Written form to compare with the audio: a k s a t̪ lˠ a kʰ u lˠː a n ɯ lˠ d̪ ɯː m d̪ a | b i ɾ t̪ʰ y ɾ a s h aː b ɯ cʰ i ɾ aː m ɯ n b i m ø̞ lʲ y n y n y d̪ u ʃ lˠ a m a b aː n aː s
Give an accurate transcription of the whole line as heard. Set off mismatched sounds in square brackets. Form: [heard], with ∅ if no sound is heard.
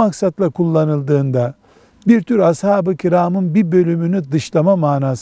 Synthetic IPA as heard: a k s a t̪ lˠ a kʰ u lˠː a n ɯ lˠ d̪ ɯː [n] d̪ a | b i ɾ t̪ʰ y ɾ a s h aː b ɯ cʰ i ɾ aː m ɯ n b i [b] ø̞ lʲ y [m] y n y d̪ [ɯ] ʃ lˠ a m a [m] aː n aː s